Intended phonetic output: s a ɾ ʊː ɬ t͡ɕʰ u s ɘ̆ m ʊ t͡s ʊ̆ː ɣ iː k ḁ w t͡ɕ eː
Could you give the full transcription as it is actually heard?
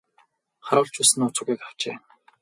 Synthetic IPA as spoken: χ a ɾ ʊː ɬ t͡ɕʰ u s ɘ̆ n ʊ t͡s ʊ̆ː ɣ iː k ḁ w t͡ɕ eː